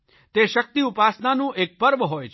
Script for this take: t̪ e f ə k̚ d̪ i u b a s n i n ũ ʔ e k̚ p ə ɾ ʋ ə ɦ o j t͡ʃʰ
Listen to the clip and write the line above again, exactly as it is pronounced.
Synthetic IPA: t̪ e ʃ ə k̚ t̪ i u p a s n a n ũ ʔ e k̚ p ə ɾ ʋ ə ɦ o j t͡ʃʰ

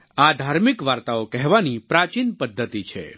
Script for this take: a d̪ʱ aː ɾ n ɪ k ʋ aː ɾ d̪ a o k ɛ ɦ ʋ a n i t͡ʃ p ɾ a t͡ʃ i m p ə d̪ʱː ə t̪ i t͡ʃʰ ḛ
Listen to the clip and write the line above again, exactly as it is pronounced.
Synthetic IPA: a d̪ʱ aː ɾ m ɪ k ʋ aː ɾ t̪ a o k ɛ ɦ ʋ a n i p ɾ a t͡ʃ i n p ə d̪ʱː ə t̪ i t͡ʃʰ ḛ

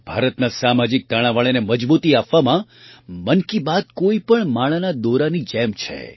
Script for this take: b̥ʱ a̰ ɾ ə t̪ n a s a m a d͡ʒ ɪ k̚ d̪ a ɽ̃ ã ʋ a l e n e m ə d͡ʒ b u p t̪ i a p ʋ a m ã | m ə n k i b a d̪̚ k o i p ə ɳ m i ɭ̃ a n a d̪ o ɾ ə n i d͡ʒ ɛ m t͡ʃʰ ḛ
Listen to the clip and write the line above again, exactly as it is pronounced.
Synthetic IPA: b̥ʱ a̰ ɾ ə t̪ n a s a m a d͡ʒ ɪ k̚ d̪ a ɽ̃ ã ʋ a ɭ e n e m ə d͡ʒ b u t̪ i a p ʋ a m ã | m ə n k i b a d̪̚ k o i p ə ɳ m a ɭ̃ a n a d̪ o ɾ a n i d͡ʒ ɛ m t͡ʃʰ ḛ

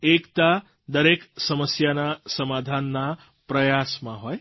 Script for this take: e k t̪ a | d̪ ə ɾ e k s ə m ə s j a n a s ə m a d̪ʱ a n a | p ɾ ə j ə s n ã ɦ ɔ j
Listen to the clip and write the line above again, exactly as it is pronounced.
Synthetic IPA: e k t̪ a | d̪ ə ɾ e k s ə m ə s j a n a s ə m a d̪ʱ a nː a | p ɾ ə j a s m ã ɦ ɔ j

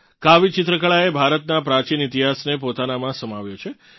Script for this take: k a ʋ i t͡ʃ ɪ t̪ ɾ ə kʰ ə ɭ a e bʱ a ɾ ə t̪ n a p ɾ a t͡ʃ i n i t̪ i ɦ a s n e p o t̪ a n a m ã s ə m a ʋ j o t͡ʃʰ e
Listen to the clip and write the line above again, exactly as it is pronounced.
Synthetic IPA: k a ʋ i t͡ʃ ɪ t̪ ɾ ə k ə ɭ a e bʱ a ɾ ə t̪ n a p ɾ a t͡ʃ i n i t̪ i ɦ a s n e p o t̪ a n a m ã s ə m a ʋ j o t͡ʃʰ e

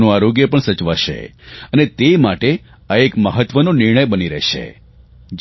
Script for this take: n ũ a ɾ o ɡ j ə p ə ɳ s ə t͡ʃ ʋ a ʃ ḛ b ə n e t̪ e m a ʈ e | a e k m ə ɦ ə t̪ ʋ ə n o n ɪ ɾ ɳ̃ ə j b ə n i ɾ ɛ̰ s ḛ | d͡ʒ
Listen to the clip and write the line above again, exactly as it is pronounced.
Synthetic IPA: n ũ a ɾ o ɡ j ə p ə ɳ s ə t͡ʃ ʋ a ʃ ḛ ə n e t̪ e m a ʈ e | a e k m ə ɦ ə t̪ ʋ ə n o n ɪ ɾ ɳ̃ ə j b ə n i ɾ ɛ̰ ʃ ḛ | d͡ʒ

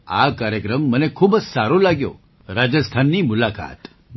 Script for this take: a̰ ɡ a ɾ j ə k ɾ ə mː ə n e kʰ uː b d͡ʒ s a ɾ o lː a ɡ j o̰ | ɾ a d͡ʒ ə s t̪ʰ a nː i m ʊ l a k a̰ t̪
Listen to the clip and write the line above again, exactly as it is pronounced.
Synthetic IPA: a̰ k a ɾ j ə k ɾ ə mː ə n e kʰ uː b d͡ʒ s a ɾ o l a ɡ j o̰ | ɾ a d͡ʒ ə s t̪ʰ a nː i m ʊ l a k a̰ t̪

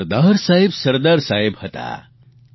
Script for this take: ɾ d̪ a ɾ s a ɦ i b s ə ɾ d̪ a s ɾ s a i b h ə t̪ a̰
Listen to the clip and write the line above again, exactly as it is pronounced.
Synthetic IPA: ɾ d̪ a ɾ s a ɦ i b s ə ɾ d̪ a ɾ s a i b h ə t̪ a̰

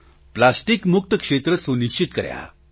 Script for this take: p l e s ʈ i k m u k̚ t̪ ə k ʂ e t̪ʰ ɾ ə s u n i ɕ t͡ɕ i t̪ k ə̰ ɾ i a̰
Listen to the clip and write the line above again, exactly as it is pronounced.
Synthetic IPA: p l a s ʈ i k m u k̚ t̪ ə k ʂ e t̪ ɾ ə s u n i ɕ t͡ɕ i t̪ k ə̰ ɾ j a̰

